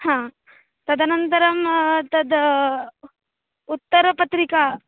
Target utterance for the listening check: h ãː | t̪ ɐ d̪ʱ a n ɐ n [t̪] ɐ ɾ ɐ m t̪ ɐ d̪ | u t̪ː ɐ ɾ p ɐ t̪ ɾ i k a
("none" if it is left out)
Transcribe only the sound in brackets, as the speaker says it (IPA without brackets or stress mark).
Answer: t̪